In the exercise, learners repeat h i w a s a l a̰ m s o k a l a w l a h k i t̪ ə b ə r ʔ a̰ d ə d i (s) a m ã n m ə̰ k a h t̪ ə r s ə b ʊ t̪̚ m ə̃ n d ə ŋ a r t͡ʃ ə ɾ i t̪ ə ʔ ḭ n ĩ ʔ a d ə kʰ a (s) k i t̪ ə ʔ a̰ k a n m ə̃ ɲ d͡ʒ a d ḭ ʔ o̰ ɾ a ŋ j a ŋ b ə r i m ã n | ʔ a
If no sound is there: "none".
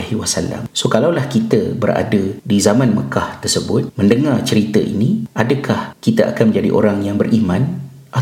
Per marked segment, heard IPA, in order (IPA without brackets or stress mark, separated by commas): z, h